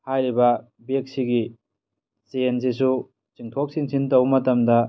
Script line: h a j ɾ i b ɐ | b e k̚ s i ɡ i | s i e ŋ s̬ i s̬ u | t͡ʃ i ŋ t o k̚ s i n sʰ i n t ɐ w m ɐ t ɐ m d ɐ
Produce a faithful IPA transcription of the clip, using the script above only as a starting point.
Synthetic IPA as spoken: h a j ɾ i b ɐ | b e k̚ s i ɡ i | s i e n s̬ i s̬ u | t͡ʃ i ŋ tʰ o k̚ s i ŋ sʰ i n t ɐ w m ɐ t ɐ m d ɐ